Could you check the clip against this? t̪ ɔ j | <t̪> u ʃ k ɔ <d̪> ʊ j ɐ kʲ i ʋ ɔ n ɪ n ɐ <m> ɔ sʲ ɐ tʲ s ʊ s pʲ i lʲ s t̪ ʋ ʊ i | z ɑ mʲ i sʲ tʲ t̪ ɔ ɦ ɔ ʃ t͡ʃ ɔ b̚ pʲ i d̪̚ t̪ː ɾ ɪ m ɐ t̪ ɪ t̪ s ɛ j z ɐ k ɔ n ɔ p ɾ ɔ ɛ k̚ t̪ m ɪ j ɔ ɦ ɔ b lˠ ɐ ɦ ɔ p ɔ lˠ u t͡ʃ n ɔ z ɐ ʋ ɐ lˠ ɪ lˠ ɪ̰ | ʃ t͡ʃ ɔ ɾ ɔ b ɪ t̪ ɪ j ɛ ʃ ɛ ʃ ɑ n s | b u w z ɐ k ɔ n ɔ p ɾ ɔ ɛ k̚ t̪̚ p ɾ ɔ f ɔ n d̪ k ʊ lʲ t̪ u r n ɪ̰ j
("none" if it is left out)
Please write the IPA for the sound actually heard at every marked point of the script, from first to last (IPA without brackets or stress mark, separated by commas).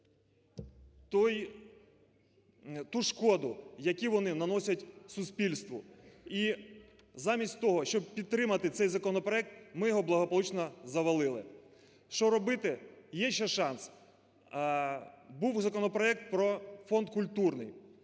t̪, d̪, n